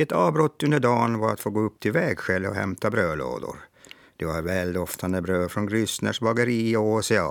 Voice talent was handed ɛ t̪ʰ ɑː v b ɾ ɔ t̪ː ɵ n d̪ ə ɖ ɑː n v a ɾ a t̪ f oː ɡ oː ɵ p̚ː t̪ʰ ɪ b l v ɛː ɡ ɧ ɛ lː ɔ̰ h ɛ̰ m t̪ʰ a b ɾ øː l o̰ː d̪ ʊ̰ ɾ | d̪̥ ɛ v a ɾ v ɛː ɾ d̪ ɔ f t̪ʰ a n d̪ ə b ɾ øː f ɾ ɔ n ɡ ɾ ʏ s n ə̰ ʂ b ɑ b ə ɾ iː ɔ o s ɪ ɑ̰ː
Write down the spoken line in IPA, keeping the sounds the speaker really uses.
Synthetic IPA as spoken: ɛ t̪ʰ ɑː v b ɾ ɔ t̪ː ɵ n d̪ ə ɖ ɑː n v a ɾ a t̪ f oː ɡ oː ɵ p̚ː t̪ʰ ɪ l v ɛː ɡ ɧ ɛ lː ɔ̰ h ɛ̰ m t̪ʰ a b ɾ øː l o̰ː d̪ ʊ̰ ɾ | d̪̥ ɛ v a ɾ v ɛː l d̪ ɔ f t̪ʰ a n d̪ ə b ɾ øː f ɾ ɔ n ɡ ɾ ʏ s n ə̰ ʂ b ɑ ɡ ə ɾ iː ɔ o s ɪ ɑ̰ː